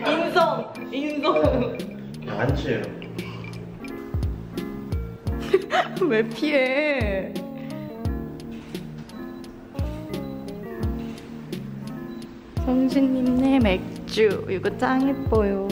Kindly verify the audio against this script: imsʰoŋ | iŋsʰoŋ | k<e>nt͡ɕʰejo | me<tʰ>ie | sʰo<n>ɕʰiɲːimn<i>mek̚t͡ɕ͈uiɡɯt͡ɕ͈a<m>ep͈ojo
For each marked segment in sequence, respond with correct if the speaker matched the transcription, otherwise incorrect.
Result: incorrect: a, incorrect: pʰ, incorrect: ŋ, incorrect: e, incorrect: ŋ

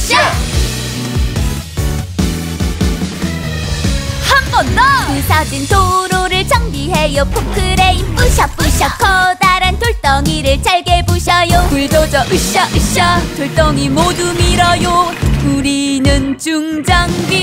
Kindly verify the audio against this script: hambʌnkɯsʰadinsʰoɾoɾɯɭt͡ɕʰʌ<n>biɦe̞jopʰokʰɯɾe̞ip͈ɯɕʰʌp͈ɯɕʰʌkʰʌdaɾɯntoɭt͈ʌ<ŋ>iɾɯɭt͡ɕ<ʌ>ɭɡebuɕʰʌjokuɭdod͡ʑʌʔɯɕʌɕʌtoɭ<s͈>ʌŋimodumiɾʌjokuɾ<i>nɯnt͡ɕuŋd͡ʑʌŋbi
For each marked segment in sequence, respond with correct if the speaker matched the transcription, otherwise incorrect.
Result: incorrect: ŋ, correct, incorrect: a, incorrect: t͈, correct

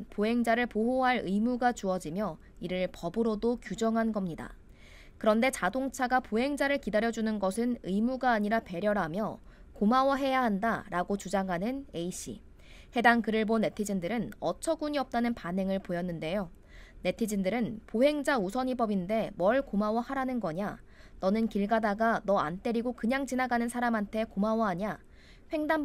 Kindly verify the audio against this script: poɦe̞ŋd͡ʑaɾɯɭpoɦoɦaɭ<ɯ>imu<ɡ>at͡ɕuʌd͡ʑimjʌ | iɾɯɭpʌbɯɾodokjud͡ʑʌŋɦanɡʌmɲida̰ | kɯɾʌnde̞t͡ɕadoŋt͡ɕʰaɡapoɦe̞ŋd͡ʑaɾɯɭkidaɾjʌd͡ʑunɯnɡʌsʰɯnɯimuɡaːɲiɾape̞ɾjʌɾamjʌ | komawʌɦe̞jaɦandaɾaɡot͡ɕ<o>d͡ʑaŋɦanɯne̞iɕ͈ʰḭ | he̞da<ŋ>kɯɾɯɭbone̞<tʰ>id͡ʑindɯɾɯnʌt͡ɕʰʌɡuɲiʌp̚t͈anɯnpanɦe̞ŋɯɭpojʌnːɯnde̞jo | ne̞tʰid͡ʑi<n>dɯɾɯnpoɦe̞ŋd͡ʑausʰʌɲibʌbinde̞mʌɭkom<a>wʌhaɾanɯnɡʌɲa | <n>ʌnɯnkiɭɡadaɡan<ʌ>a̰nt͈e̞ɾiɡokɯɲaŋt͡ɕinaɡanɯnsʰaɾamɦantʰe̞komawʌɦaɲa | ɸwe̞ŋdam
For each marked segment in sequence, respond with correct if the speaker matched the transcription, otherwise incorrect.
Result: correct, correct, incorrect: u, correct, correct, correct, correct, correct, correct

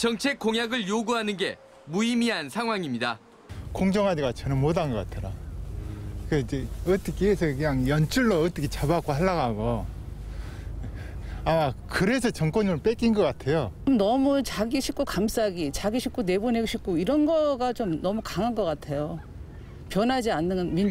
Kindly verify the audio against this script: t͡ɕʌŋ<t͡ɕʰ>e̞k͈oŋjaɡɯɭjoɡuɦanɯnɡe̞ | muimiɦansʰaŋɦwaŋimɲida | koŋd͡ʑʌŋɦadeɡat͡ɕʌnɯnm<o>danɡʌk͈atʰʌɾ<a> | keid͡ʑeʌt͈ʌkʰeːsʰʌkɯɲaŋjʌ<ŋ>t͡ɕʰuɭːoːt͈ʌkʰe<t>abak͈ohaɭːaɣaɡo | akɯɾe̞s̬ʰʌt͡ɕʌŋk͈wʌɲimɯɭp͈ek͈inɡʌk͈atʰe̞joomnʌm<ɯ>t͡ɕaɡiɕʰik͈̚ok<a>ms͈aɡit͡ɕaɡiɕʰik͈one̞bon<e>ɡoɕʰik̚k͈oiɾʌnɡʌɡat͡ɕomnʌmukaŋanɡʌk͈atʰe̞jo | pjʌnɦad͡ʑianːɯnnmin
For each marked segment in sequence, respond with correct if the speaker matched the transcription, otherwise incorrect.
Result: correct, correct, correct, incorrect: n, incorrect: t͡ɕ, incorrect: u, correct, correct

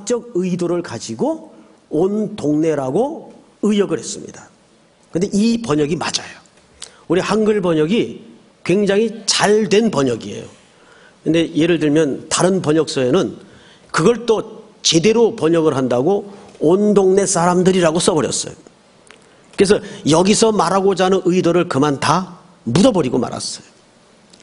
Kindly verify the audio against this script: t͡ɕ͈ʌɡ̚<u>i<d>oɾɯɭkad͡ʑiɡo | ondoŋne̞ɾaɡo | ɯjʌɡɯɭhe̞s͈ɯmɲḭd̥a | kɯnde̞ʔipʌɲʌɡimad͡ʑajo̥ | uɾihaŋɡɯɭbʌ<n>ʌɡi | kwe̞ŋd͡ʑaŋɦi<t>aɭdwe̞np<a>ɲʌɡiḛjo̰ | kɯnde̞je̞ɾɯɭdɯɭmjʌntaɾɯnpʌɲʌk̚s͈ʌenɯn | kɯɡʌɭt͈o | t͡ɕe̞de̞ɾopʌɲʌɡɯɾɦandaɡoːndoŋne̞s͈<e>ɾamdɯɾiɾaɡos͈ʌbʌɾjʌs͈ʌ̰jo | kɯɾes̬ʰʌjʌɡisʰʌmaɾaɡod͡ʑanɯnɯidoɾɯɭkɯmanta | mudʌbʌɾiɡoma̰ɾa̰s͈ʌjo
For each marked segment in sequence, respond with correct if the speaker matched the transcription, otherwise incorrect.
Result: incorrect: ɯ, correct, incorrect: ɲ, incorrect: t͡ɕ, incorrect: ʌ, incorrect: a

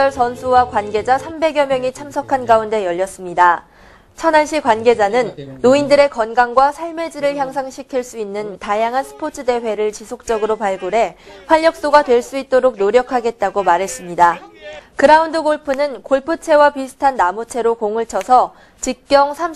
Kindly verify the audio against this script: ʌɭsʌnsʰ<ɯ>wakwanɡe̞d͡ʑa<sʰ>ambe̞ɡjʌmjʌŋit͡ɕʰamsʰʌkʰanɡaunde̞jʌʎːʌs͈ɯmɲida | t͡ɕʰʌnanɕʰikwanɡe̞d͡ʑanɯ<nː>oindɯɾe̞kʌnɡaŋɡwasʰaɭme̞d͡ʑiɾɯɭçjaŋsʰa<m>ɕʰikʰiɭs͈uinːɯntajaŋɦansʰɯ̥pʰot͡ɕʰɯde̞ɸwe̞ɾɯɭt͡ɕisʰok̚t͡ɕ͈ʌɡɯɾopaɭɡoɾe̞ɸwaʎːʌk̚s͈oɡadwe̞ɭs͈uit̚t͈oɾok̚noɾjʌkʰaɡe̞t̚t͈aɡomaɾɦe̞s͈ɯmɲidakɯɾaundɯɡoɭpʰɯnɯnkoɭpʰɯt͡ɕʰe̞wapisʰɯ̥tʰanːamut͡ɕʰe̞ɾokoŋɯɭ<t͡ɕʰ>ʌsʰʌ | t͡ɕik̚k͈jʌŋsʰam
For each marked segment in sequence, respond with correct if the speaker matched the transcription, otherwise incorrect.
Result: incorrect: u, correct, correct, incorrect: ŋ, correct

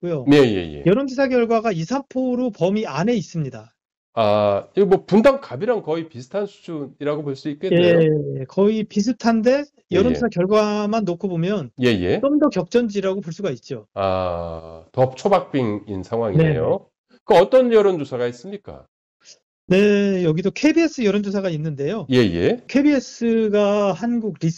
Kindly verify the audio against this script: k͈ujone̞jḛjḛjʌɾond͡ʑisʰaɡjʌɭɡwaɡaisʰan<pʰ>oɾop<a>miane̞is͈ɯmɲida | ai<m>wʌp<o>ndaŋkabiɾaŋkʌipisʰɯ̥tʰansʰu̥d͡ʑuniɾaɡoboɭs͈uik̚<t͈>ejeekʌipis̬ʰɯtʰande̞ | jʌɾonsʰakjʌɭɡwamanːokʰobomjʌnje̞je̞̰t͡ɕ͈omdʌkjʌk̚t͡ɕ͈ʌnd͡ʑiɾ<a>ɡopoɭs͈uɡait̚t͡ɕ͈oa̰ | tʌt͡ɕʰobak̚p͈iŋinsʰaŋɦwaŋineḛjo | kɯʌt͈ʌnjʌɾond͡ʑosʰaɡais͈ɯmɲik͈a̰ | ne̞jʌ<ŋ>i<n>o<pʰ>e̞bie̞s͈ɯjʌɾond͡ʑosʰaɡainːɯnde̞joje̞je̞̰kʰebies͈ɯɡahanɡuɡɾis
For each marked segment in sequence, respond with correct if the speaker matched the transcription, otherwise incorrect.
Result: correct, incorrect: ʌ, correct, incorrect: u, incorrect: k͈, correct, incorrect: ɡ, incorrect: d, incorrect: kʰ

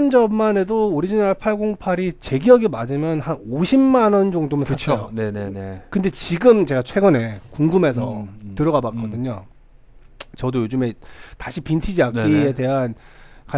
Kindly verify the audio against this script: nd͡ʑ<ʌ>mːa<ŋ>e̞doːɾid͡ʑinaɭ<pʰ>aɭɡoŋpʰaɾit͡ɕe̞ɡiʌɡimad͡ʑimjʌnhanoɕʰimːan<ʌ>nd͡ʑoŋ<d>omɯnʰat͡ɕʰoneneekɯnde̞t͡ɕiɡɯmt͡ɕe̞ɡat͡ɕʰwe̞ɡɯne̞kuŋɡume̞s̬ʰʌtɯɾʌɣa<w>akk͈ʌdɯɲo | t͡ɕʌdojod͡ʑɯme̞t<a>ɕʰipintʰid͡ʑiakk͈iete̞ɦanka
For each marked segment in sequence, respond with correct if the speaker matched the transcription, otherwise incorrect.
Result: correct, incorrect: n, correct, correct, correct, incorrect: b, correct

